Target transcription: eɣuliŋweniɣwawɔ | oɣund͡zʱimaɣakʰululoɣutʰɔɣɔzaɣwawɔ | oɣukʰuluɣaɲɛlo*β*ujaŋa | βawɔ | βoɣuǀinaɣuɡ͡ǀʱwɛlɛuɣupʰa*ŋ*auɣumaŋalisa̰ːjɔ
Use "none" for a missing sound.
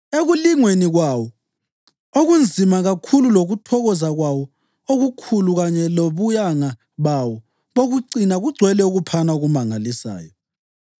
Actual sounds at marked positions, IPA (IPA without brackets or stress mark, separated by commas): β, n